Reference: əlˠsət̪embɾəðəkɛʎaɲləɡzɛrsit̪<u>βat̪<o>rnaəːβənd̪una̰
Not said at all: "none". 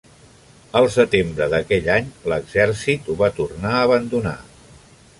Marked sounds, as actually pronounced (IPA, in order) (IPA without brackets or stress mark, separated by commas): u, u